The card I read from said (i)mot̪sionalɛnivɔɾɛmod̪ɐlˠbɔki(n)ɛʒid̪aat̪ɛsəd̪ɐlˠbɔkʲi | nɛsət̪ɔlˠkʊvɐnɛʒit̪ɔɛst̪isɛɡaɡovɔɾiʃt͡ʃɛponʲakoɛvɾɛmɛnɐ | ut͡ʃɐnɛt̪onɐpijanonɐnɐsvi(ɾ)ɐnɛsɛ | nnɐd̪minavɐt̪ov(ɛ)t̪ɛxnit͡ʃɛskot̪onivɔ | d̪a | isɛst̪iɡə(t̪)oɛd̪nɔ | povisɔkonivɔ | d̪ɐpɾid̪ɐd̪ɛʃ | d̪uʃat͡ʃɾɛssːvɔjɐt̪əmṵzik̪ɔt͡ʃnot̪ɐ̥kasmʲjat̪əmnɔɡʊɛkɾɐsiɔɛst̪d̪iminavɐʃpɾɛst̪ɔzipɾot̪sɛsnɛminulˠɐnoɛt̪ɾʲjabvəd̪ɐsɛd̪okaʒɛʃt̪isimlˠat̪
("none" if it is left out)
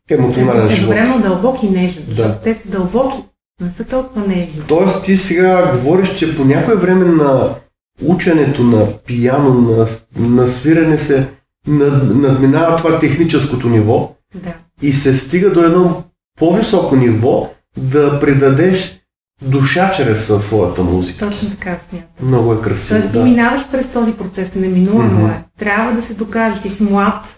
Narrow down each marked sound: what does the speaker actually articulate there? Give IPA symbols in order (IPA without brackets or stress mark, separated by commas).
ɛ, n, ɾ, a, d̪